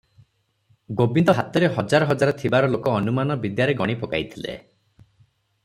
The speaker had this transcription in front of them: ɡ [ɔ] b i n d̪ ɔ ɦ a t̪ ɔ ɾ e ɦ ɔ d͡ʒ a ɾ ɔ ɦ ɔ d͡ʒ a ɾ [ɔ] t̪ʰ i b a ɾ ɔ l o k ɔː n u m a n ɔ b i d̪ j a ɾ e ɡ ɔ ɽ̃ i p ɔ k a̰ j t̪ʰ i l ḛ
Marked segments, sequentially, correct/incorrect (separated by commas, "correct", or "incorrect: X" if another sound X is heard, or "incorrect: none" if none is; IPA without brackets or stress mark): incorrect: o, correct